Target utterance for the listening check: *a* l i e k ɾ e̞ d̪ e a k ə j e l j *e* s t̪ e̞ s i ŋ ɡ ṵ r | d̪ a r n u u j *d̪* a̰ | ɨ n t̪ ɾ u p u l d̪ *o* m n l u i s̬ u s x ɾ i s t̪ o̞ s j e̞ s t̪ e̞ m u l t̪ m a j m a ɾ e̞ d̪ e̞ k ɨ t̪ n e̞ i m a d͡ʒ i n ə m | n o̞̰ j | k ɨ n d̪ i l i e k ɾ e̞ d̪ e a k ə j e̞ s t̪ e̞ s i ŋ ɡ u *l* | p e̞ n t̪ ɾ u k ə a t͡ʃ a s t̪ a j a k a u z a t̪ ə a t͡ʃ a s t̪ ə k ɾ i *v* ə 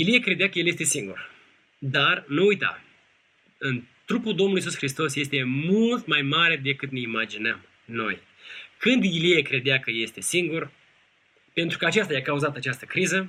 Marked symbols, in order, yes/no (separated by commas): no, yes, no, yes, no, no